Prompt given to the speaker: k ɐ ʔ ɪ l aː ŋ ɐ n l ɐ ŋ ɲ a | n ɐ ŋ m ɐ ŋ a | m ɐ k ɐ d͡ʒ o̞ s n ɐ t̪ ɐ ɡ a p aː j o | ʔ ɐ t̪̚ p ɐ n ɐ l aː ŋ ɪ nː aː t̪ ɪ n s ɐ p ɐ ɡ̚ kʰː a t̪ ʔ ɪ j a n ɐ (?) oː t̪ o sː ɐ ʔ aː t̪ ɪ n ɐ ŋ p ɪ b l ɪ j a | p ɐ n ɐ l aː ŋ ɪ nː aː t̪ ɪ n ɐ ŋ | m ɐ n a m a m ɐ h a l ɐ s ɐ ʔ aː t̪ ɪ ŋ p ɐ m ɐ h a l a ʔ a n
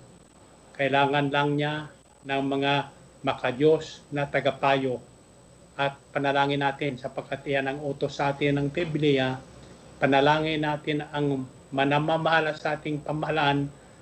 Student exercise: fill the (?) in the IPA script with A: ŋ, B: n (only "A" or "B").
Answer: A